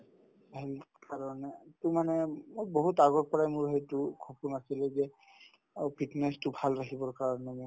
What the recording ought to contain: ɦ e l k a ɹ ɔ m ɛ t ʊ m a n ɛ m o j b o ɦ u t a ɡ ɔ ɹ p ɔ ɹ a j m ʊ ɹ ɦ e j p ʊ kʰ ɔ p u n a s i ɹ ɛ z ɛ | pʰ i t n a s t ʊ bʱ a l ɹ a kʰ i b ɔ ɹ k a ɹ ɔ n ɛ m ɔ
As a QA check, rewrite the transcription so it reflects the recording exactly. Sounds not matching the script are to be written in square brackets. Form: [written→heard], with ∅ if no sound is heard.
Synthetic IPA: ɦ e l k a ɹ ɔ [m→n] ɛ t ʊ m a n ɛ m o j b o ɦ u t a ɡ ɔ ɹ p ɔ ɹ a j m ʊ ɹ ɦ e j [p→t] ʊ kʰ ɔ p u n a s i [ɹ→l] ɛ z ɛ | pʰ i t n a s t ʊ bʱ a l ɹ a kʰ i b ɔ ɹ k a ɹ ɔ n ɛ m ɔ